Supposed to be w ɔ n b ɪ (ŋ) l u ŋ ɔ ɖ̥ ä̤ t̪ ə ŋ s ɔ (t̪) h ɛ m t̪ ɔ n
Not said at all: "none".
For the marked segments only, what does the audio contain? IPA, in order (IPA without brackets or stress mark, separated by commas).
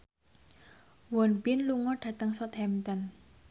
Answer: n, t̪